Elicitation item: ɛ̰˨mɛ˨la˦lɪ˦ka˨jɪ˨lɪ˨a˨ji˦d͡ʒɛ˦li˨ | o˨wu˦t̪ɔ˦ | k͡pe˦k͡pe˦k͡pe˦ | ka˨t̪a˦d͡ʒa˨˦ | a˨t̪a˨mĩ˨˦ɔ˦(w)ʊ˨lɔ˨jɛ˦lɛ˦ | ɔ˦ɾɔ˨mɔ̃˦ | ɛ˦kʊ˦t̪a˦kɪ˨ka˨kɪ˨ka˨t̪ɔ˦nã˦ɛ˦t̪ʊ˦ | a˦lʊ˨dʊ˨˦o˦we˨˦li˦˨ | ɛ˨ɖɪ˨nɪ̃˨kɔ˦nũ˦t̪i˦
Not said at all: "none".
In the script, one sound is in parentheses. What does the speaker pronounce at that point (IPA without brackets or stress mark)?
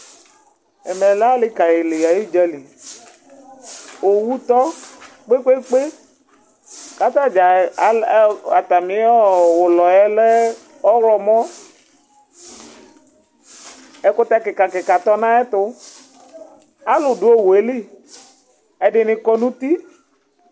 w